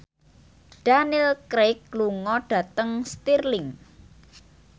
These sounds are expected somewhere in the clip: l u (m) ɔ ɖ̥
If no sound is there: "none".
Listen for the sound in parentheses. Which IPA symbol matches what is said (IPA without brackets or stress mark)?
ŋ